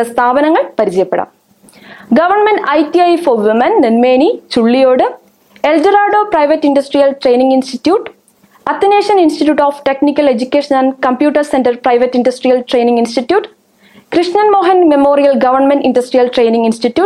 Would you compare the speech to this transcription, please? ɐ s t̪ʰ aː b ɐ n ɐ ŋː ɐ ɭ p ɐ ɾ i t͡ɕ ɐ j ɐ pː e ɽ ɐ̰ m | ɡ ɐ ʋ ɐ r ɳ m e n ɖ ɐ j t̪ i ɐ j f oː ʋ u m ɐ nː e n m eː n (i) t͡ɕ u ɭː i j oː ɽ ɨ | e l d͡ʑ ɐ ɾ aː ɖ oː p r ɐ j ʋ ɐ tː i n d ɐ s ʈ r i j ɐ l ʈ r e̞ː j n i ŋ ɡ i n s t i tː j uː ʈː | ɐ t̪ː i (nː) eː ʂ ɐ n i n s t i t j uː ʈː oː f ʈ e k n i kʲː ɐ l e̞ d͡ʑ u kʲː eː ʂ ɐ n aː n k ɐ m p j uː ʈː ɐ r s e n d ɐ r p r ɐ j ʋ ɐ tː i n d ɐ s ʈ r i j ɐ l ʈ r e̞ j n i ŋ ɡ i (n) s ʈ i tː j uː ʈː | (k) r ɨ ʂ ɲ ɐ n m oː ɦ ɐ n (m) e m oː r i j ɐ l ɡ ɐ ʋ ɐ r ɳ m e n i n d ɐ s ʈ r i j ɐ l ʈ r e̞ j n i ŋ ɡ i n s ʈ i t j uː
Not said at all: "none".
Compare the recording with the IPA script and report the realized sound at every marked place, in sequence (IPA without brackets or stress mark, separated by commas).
i, n, n, k, m